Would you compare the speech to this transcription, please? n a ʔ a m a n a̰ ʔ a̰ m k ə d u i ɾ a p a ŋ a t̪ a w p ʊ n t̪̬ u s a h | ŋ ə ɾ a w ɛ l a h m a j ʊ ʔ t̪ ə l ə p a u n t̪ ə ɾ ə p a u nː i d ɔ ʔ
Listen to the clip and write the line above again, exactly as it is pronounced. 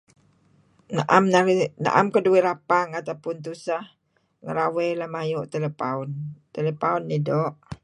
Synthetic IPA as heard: n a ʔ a m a n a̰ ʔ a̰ m k ə d u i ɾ a p a ŋ a t̪ a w p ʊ n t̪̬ u s a h | ŋ ə ɾ a w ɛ l a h m a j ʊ ʔ t̪ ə l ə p a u n t̪ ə l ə p a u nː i d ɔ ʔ